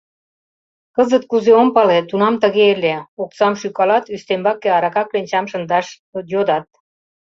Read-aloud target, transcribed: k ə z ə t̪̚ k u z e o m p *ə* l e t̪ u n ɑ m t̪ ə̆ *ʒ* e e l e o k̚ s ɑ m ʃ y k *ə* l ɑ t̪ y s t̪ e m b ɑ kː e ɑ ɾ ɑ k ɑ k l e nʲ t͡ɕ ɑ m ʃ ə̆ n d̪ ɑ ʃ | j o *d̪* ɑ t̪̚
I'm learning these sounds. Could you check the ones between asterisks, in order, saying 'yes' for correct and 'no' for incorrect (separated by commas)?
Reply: no, no, no, yes